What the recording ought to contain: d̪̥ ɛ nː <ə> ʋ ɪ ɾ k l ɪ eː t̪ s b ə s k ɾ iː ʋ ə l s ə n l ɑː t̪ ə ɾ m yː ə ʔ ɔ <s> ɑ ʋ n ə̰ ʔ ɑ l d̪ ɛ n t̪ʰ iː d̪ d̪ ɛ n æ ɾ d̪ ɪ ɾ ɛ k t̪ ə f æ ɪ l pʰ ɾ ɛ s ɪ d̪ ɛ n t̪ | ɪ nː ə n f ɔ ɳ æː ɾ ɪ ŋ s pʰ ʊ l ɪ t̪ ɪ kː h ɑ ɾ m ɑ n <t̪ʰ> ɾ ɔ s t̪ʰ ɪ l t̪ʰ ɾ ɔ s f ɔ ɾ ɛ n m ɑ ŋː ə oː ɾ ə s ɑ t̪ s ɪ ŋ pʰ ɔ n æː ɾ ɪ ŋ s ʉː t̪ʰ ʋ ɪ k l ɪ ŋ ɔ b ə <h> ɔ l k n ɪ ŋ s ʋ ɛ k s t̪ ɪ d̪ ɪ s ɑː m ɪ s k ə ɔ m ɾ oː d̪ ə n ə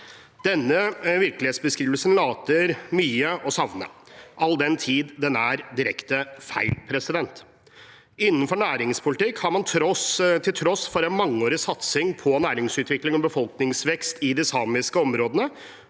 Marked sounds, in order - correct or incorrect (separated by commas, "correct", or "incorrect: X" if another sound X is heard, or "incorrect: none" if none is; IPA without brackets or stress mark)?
correct, correct, correct, incorrect: f